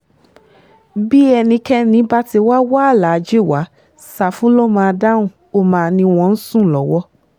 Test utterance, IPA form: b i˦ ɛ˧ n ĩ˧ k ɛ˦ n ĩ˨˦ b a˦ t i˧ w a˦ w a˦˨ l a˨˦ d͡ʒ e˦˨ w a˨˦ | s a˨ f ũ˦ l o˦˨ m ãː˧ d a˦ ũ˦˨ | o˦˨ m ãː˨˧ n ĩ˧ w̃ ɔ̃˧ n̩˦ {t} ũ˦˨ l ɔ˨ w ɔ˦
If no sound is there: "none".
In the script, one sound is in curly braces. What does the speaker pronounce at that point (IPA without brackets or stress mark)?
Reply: s